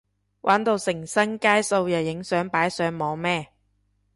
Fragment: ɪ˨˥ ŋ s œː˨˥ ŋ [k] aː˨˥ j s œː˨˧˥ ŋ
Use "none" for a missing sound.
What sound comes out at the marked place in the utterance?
p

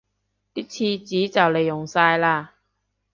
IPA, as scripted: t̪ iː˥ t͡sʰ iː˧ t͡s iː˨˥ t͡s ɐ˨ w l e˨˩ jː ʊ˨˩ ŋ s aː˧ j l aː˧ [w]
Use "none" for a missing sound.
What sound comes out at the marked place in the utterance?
none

